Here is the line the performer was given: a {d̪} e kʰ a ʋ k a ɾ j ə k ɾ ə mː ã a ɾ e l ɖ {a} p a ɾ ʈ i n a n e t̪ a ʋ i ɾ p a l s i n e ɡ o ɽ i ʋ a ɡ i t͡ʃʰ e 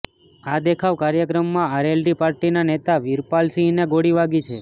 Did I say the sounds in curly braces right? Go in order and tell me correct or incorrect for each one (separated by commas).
correct, incorrect